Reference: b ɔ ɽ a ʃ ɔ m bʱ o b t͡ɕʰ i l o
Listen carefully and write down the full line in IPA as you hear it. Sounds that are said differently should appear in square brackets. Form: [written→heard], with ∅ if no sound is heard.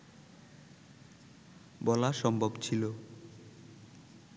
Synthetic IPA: b ɔ [ɽ→l] a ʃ ɔ m bʱ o b t͡ɕʰ i l o